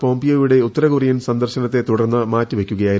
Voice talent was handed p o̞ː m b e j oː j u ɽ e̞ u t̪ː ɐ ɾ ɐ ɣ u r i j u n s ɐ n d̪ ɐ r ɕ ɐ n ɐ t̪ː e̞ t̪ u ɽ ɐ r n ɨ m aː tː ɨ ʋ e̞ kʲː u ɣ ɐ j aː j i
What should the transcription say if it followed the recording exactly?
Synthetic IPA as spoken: p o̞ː m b i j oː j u ɽ e̞ u t̪ː ɐ ɾ ɐ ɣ u r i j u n s ɐ n d̪ ɐ r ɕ ɐ n ɐ t̪ː e̞ t̪ u ɽ ɐ r nː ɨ m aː tː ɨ ʋ e̞ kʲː u ɣ ɐ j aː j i